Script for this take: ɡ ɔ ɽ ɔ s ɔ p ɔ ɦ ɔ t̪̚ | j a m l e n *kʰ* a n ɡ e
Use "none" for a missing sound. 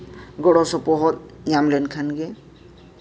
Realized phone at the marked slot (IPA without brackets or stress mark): kʰ